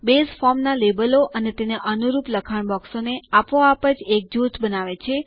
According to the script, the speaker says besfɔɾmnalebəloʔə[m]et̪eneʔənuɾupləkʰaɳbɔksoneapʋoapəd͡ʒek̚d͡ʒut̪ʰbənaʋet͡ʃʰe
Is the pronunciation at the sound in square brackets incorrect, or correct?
incorrect